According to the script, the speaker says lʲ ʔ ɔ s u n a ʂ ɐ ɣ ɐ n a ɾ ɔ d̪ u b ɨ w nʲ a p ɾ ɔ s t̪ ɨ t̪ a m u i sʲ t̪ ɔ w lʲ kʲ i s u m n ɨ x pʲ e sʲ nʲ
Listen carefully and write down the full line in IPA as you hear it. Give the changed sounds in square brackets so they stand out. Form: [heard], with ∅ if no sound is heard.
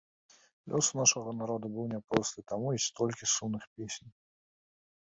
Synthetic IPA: lʲ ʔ ɔ s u n a ʂ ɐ ɣ ɐ n a ɾ ɔ d̪ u b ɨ w nʲ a p ɾ ɔ s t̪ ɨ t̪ a m u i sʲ t̪ ɔ [∅] lʲ kʲ i s u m n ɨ x pʲ e sʲ nʲ

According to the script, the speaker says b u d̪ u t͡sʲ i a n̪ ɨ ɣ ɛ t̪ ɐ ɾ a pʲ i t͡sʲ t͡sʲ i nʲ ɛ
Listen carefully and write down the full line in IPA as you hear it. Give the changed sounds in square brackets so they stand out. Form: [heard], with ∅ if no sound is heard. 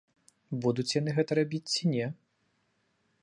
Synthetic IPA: b u d̪ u t͡sʲ [j] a n̪ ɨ ɣ ɛ t̪ ɐ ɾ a [bʲ] i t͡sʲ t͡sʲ i nʲ ɛ

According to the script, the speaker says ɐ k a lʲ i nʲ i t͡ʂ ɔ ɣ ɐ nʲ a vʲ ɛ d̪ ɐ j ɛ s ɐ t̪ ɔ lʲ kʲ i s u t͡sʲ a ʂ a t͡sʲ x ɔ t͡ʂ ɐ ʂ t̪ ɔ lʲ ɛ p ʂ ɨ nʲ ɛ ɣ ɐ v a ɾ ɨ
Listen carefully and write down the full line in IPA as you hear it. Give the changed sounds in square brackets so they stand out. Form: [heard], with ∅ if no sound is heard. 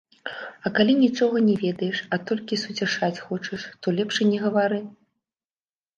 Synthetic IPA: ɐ k a lʲ i nʲ i t͡ʂ ɔ ɣ ɐ nʲ [ɛ] vʲ ɛ d̪ ɐ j ɛ [ʂ] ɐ t̪ ɔ lʲ kʲ i s u t͡sʲ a ʂ a t͡sʲ x ɔ t͡ʂ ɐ ʂ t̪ ɔ lʲ ɛ p ʂ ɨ nʲ ɛ ɣ ɐ v a ɾ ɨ

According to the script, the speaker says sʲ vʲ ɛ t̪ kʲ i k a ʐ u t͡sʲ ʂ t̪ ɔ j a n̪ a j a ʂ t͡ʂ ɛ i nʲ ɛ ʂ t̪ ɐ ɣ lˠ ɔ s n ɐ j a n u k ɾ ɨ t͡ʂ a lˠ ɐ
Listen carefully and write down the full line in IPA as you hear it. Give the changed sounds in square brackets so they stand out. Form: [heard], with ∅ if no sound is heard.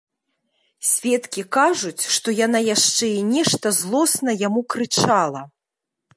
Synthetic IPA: sʲ vʲ ɛ t̪ kʲ i k a ʐ u t͡sʲ ʂ t̪ ɔ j a n̪ a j a ʂ t͡ʂ ɛ i nʲ ɛ ʂ t̪ ɐ [z] lˠ ɔ s n ɐ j a [m] u k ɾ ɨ t͡ʂ a lˠ ɐ

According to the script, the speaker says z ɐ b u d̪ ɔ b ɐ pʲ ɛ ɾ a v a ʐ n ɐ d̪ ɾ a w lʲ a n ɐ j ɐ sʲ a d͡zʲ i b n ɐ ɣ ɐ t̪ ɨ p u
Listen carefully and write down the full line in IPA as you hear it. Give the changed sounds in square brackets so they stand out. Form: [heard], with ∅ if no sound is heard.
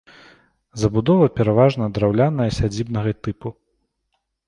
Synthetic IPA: z ɐ b u d̪ ɔ [v] ɐ pʲ ɛ ɾ a v a ʐ n ɐ d̪ ɾ a w lʲ a n ɐ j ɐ sʲ a d͡zʲ i b n ɐ ɣ ɐ t̪ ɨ p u

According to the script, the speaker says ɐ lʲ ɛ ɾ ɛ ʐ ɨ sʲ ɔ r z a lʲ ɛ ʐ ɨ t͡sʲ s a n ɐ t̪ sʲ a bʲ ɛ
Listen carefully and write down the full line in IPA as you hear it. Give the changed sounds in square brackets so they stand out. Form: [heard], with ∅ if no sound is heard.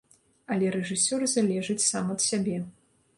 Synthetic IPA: ɐ lʲ ɛ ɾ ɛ ʐ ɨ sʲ ɔ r z a lʲ ɛ ʐ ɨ t͡sʲ s a [m] ɐ t̪ sʲ a bʲ ɛ

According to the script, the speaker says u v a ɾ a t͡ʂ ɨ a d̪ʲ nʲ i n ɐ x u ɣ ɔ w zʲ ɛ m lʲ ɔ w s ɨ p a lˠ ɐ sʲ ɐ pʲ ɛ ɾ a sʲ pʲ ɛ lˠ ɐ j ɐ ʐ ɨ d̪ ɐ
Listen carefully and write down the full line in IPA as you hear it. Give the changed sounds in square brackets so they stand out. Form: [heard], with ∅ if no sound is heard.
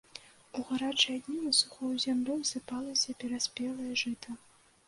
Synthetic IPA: u [ɣ] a ɾ a t͡ʂ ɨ a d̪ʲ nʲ i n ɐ [s] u [x] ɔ w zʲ [a] m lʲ ɔ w s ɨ p a lˠ ɐ sʲ ɐ pʲ ɛ ɾ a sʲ pʲ ɛ lˠ ɐ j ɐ ʐ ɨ [t̪] ɐ

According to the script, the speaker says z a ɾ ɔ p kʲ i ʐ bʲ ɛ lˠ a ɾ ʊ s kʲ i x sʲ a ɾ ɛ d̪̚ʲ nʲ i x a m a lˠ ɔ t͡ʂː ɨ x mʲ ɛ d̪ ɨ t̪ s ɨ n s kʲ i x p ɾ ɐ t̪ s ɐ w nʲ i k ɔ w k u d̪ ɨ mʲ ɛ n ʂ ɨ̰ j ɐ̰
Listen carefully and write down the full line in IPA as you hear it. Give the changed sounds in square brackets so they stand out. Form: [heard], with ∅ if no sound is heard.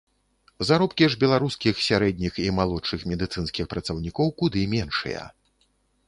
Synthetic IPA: z a ɾ ɔ p kʲ i ʐ bʲ ɛ lˠ a ɾ [u] s kʲ i x sʲ a ɾ ɛ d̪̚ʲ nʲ i x [i] m a lˠ ɔ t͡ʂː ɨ x mʲ ɛ d̪ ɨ t̪ s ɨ n s kʲ i x p ɾ ɐ t̪ s ɐ w nʲ i k ɔ w k u d̪ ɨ mʲ ɛ n ʂ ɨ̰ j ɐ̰

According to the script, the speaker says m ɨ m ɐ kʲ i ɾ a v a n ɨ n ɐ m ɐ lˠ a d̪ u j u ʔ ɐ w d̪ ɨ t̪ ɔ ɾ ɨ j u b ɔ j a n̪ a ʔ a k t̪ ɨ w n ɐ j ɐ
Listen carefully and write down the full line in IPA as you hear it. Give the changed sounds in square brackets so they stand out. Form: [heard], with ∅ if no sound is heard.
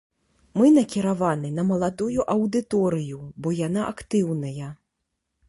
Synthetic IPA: m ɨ [n] ɐ kʲ i ɾ a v a n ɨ n ɐ m ɐ lˠ a d̪ u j u ʔ ɐ w d̪ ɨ t̪ ɔ ɾ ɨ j u b ɔ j a n̪ a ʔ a k t̪ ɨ w n ɐ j ɐ

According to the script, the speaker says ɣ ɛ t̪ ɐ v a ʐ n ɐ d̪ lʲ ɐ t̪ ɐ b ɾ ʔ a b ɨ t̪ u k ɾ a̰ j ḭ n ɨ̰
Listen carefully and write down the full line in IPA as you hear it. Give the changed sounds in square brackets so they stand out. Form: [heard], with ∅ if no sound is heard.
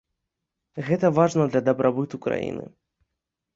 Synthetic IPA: ɣ ɛ t̪ ɐ v a ʐ n ɐ d̪ lʲ ɐ [d̪] ɐ b ɾ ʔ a b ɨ t̪ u k ɾ a̰ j ḭ n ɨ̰

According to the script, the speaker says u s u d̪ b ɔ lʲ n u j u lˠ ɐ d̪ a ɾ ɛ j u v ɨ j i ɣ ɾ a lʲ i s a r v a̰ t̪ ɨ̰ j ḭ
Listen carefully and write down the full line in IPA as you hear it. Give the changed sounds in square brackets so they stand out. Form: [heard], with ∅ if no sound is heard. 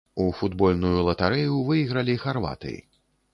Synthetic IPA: u [f] u d̪ b ɔ lʲ n u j u lˠ ɐ [t̪] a ɾ ɛ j u v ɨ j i ɣ ɾ [ɐ] lʲ i [x] a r v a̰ t̪ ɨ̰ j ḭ

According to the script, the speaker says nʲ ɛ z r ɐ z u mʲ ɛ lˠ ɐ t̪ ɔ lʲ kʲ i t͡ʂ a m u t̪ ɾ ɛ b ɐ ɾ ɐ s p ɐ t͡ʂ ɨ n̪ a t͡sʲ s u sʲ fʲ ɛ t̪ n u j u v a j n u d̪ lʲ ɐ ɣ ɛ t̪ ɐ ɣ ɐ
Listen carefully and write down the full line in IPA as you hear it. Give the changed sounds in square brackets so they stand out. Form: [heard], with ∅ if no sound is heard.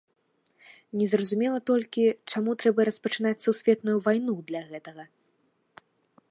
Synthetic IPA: nʲ ɛ z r ɐ z u mʲ ɛ lˠ ɐ t̪ ɔ lʲ kʲ i t͡ʂ a m u t̪ ɾ ɛ b ɐ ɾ ɐ s p ɐ t͡ʂ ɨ n̪ a t͡sʲ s u sʲ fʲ ɛ t̪ n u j u v a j n u d̪ lʲ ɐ ɣ ɛ t̪ ɐ ɣ ɐ

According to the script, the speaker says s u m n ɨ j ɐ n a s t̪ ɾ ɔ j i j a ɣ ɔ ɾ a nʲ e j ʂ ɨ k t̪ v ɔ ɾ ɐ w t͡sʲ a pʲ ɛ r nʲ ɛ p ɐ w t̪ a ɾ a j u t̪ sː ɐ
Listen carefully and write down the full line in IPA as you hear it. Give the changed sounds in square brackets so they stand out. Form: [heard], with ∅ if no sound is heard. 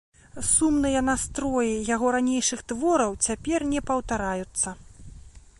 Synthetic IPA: s u m n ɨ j ɐ n a s t̪ ɾ ɔ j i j a ɣ ɔ ɾ a nʲ e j ʂ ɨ [x] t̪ v ɔ ɾ ɐ w t͡sʲ a pʲ ɛ r nʲ ɛ p ɐ w t̪ a ɾ a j u t̪ sː ɐ

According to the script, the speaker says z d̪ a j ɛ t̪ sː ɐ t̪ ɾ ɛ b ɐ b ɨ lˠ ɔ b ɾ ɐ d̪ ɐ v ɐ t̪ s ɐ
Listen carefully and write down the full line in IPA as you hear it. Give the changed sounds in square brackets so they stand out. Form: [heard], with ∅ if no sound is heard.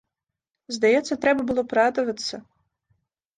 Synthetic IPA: z d̪ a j ɛ t̪ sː ɐ t̪ ɾ ɛ b ɐ b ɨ lˠ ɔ [p] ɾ [a] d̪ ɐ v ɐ t̪ s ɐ

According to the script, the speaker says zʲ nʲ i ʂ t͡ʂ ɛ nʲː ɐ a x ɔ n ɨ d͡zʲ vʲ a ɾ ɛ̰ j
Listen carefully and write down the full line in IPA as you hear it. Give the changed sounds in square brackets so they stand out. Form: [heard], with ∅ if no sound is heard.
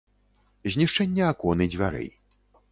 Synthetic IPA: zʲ nʲ i ʂ t͡ʂ ɛ nʲː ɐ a [k] ɔ n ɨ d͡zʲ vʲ a ɾ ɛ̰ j

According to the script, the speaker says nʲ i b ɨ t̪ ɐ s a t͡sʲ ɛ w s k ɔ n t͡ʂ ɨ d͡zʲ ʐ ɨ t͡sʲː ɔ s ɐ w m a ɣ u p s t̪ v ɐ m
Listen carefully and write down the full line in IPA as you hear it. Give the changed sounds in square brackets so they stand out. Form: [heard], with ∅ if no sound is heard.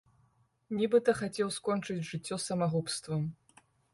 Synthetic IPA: nʲ i b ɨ t̪ ɐ [x] a t͡sʲ ɛ w s k ɔ n t͡ʂ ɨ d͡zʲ ʐ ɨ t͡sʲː ɔ s ɐ [∅] m a ɣ u p s t̪ v ɐ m

